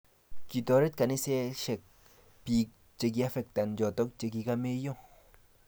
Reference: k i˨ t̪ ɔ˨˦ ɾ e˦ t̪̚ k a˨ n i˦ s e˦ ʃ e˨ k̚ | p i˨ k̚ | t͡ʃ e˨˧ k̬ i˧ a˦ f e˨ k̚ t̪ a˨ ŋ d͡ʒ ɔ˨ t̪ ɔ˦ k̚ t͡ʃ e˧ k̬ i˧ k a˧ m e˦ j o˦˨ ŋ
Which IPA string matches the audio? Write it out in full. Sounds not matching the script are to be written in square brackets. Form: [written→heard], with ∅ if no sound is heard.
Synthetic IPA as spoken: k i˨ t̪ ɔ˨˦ ɾ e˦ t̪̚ k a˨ n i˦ s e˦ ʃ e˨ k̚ | p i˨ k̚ | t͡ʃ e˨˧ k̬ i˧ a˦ f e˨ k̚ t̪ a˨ [ŋ→n] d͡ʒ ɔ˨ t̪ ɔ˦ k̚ t͡ʃ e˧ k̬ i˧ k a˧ m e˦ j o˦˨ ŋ